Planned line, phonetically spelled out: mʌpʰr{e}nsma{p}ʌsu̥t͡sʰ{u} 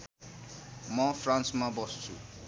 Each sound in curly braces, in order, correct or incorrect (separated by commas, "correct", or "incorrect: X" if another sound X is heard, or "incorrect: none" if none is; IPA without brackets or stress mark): incorrect: a, incorrect: b, correct